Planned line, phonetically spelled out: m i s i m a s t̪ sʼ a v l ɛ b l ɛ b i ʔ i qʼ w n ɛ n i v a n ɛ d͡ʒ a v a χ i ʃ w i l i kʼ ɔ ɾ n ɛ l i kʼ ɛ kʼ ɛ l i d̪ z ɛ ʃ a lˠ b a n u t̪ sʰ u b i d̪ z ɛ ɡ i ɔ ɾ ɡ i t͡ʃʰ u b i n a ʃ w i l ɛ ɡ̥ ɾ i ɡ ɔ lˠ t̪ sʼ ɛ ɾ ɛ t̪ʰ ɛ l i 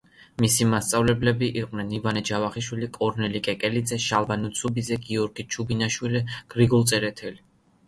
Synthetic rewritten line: m i s i m a s t̪ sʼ a v l ɛ b l ɛ b i ʔ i qʼ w n ɛ n i v a n ɛ d͡ʒ a v a χ i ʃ w i l i kʼ ɔ ɾ n ɛ l i kʼ ɛ kʼ ɛ l i d̪ z ɛ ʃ a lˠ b a n u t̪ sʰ u b i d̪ z ɛ ɡ i ɔ ɾ ɡ i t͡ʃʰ u b i n a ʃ w i l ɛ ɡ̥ ɾ i ɡ ɔ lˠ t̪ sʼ ɛ ɾ ɛ t̪ʰ ɛ l i